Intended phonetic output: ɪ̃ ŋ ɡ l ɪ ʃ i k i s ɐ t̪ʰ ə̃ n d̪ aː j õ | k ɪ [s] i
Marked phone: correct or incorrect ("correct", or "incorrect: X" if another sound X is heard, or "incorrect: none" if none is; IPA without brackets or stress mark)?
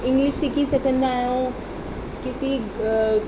correct